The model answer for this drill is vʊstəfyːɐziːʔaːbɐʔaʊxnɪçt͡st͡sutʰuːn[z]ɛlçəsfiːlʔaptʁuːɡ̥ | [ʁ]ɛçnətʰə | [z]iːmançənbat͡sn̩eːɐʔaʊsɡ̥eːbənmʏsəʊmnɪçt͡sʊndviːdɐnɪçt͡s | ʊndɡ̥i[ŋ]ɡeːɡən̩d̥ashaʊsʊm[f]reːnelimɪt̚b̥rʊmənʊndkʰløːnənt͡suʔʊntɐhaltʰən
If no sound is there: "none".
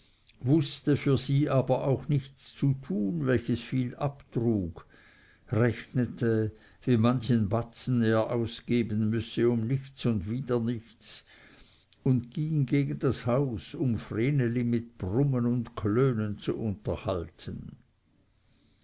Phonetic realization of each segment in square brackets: v, ʁ, v, ŋ, f

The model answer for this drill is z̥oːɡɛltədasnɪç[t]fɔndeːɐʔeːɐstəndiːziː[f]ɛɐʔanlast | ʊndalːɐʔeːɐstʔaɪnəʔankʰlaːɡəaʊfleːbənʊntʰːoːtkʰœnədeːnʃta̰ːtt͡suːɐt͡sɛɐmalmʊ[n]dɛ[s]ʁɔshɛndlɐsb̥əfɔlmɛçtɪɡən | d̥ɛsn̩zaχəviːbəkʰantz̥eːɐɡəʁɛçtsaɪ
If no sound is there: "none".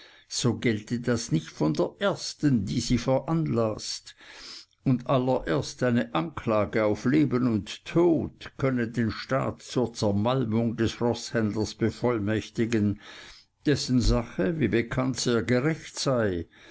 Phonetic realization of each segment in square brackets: t, f, ŋ, s

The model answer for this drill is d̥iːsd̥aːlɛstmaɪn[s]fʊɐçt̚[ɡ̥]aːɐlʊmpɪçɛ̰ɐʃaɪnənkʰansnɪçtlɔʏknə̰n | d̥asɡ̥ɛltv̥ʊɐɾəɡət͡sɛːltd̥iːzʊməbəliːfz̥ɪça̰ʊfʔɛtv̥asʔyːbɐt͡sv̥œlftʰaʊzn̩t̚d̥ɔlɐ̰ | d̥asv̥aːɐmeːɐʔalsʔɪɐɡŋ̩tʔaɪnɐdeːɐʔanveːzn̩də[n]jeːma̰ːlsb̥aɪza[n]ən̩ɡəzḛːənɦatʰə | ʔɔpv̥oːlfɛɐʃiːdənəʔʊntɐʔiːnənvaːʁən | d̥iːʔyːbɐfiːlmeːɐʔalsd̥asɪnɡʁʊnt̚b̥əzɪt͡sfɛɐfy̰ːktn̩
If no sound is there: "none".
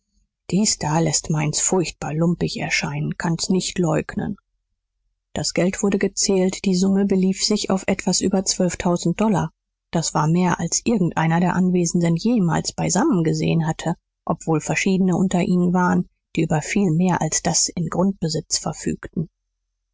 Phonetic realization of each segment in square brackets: s, b̥, n, m

